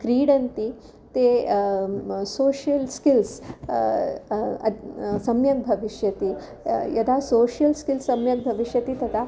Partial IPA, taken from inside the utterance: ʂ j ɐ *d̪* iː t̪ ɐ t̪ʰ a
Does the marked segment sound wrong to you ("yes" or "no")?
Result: yes